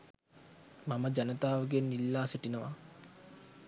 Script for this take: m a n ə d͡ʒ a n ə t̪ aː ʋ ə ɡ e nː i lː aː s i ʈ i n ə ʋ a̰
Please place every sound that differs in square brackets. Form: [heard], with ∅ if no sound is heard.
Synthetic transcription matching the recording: m a [m] ə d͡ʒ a n ə t̪ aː ʋ ə ɡ e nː i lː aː s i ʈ i n ə ʋ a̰

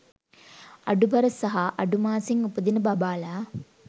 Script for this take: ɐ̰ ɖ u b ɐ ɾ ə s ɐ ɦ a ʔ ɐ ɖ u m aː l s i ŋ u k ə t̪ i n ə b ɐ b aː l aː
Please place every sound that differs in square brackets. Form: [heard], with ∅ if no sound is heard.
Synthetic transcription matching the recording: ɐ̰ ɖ u b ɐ ɾ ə s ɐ ɦ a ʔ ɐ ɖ u m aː [∅] s i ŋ u [p] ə [d̪] i n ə b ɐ b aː l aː

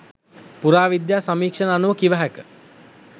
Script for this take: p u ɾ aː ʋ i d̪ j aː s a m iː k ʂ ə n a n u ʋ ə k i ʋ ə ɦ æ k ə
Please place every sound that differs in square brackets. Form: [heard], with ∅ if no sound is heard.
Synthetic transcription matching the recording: p u ɾ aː ʋ i d̪ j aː s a m iː k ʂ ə n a n u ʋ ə k i ʋ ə ɦ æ k ə

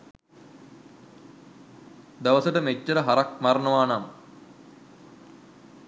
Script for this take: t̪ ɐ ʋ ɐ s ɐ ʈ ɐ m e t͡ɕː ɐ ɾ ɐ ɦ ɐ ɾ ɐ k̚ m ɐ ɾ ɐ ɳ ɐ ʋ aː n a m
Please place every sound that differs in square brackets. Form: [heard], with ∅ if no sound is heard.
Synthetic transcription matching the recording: [d̪] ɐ ʋ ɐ s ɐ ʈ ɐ m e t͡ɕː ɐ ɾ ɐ ɦ ɐ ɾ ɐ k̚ m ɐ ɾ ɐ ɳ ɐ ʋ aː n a m

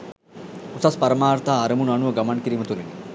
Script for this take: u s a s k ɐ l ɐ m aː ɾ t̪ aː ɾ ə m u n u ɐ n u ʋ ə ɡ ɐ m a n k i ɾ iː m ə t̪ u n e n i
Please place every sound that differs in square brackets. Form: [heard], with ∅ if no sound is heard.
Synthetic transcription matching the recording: u s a s [p] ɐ [ɾ] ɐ m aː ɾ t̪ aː ɾ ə m u n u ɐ n u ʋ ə ɡ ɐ m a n k i ɾ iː m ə t̪ u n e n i

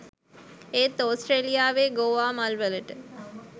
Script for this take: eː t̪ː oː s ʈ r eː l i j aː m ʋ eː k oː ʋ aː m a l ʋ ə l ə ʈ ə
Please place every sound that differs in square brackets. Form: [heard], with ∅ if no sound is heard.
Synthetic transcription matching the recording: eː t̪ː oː s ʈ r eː l i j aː [∅] ʋ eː [ɡ] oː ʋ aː m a l ʋ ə l ə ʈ ə

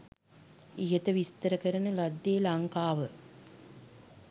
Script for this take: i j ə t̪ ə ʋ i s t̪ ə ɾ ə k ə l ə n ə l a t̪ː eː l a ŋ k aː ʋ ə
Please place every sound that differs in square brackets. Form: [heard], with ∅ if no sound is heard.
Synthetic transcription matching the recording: i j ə t̪ ə ʋ i s t̪ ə ɾ ə k ə [ɾ] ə n ə l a [d̪ː] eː l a ŋ k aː ʋ ə

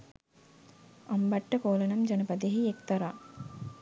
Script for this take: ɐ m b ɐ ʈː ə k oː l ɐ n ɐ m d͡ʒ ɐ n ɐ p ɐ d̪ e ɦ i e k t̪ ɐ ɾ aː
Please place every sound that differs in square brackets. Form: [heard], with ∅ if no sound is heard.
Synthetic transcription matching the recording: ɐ m b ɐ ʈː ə k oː l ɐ n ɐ m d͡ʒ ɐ n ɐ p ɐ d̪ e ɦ i e k t̪ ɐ ɾ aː

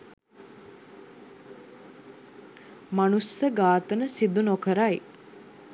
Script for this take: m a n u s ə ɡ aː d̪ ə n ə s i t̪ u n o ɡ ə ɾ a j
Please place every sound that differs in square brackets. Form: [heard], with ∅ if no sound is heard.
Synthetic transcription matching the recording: m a n u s ə ɡ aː [t̪] ə n ə s i [d̪] u n o [k] ə ɾ a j

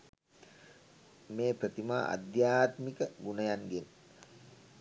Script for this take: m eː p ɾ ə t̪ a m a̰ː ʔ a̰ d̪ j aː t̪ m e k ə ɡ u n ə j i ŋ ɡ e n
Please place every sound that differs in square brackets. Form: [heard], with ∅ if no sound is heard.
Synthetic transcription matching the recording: m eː p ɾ ə t̪ [i] m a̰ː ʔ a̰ d̪ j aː t̪ m [i] k ə ɡ u n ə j [a] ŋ ɡ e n

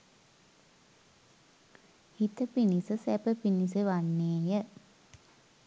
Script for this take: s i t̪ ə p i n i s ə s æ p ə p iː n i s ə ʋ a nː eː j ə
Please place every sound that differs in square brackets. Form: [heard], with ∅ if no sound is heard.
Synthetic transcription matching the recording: [h] i t̪ ə p i n i s ə s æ p ə p [i] n i s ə ʋ a nː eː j ə

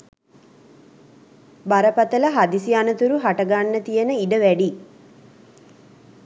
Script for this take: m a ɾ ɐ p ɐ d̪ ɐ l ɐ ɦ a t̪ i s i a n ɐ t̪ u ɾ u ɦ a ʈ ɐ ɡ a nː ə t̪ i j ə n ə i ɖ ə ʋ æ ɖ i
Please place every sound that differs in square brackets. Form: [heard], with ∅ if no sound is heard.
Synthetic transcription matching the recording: [b] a ɾ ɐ p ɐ [t̪] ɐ l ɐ ɦ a [d̪] i s i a n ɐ t̪ u ɾ u ɦ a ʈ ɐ ɡ a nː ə t̪ i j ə n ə i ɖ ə ʋ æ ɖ i

